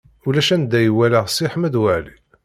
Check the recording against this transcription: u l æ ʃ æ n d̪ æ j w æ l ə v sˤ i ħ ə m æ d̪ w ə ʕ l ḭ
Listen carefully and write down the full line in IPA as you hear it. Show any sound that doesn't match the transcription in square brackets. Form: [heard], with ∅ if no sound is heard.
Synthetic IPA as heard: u l æ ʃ æ n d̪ æ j w æ l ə [ʁ] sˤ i ħ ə m æ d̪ w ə ʕ l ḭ